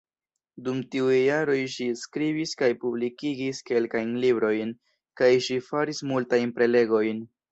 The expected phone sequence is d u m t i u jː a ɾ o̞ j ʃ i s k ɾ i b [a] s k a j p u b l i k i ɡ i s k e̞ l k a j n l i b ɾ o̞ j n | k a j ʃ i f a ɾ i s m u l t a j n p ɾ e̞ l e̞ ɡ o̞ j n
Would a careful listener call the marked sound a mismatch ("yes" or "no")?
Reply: yes